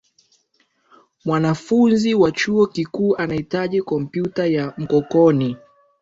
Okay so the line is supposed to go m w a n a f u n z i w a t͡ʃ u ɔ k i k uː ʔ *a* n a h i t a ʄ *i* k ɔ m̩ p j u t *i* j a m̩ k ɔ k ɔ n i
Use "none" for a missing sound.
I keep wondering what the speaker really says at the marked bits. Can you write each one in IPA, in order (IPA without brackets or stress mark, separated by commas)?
a, i, a